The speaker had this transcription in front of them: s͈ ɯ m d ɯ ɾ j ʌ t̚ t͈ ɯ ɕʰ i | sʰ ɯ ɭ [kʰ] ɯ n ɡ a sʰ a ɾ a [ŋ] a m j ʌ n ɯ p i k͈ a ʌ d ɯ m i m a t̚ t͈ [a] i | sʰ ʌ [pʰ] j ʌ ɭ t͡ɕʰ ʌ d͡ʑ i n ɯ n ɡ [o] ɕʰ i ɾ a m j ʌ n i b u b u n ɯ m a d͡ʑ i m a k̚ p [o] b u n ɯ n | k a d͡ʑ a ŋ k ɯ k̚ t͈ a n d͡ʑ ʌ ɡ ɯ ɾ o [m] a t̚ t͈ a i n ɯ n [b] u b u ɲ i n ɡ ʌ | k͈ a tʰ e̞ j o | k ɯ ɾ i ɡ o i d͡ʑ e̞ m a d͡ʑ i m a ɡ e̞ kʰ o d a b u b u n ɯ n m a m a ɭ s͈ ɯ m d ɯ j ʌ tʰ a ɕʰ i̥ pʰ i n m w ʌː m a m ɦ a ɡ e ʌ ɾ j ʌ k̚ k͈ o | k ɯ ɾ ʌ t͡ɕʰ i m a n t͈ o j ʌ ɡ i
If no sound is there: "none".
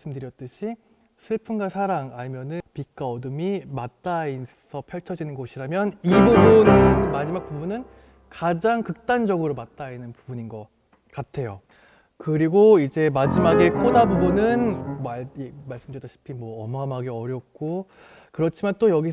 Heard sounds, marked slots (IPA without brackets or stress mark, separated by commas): pʰ, ŋ, a, pʰ, o, u, m, p